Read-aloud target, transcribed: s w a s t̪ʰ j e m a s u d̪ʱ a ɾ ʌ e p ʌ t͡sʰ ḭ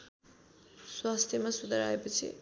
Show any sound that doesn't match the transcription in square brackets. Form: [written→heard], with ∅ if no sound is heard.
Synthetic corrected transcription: s w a s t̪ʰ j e m a s u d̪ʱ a ɾ [ʌ→a] e p ʌ t͡sʰ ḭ